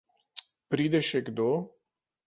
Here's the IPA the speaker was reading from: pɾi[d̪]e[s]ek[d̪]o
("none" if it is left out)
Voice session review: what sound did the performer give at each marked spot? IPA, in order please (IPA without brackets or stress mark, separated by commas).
d̪, ʃ, d̪